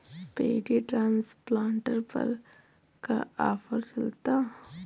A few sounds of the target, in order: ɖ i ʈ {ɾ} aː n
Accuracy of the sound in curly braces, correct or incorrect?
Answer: correct